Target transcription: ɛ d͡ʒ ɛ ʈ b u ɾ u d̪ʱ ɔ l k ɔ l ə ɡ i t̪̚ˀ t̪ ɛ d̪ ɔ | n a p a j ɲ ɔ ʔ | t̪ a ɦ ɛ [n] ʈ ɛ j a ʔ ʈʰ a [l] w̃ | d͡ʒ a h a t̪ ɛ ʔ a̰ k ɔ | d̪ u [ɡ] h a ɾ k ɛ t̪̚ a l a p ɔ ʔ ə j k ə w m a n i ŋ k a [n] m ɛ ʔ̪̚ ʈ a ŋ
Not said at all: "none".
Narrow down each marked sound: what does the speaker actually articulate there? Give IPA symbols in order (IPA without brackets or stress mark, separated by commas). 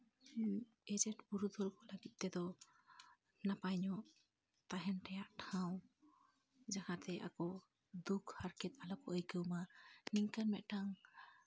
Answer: n, none, k, n